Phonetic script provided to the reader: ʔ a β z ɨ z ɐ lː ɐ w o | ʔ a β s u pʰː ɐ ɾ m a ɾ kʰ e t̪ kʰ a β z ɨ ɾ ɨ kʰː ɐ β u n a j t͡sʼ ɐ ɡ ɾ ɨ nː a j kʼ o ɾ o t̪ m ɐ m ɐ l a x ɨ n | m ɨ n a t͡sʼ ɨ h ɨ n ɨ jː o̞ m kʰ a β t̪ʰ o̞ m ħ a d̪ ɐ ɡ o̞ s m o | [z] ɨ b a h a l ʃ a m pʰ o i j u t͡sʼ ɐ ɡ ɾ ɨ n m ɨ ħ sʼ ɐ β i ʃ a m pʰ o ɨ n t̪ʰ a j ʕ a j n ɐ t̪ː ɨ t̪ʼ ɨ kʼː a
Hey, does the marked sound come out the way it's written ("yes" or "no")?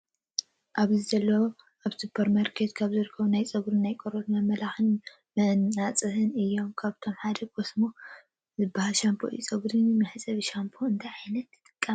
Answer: yes